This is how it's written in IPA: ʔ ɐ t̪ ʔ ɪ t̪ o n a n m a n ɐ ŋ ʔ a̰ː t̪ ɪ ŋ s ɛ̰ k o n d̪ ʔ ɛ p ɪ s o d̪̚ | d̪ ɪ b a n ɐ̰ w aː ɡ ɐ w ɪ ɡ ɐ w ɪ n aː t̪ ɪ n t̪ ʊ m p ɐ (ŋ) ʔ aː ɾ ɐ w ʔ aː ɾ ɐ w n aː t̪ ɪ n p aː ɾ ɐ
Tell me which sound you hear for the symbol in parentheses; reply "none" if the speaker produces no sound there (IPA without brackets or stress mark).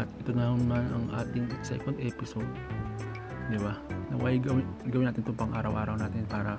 ŋ